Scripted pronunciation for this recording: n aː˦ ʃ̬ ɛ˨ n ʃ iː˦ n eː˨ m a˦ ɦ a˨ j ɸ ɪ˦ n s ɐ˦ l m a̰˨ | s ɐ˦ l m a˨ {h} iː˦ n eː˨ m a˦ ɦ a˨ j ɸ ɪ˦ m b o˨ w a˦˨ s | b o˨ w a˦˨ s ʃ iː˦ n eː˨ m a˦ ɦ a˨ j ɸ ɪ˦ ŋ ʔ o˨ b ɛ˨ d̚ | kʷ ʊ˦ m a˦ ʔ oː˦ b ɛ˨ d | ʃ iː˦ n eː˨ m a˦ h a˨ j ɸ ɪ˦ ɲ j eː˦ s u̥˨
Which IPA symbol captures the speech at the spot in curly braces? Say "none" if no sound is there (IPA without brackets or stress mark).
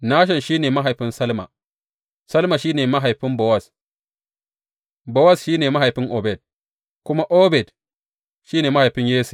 ʃ